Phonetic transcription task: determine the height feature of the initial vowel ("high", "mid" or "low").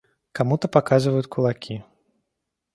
low